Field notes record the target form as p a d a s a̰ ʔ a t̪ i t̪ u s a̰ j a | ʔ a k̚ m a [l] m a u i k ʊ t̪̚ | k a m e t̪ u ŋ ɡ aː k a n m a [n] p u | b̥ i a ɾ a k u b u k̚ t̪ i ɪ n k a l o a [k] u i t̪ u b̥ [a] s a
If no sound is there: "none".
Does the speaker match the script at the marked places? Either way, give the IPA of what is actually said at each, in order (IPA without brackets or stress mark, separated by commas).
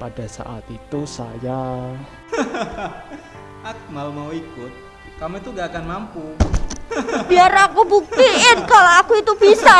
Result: l, m, k, i